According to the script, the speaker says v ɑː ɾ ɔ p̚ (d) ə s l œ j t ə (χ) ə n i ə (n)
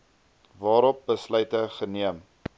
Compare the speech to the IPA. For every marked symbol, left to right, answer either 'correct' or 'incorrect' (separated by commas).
incorrect, correct, incorrect